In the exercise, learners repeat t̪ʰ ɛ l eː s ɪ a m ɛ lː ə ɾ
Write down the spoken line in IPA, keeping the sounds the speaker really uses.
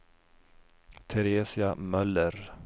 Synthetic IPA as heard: t̪ʰ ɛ ɾ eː s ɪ a m œ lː ə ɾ